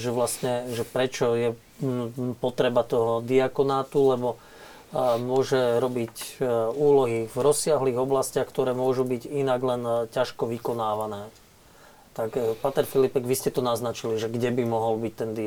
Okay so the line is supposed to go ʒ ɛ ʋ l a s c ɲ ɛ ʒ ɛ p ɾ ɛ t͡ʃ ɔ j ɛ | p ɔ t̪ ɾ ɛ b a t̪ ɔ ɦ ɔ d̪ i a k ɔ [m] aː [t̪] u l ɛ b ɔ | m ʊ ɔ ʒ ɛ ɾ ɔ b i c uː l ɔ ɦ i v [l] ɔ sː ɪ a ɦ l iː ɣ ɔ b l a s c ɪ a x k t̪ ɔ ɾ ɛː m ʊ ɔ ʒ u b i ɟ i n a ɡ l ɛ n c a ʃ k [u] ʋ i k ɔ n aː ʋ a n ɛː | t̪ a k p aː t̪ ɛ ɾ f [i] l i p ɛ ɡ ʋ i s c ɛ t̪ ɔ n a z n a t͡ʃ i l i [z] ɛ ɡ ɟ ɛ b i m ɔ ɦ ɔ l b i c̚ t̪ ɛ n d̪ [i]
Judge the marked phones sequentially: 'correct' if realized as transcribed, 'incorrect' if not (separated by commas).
incorrect, correct, incorrect, incorrect, correct, incorrect, correct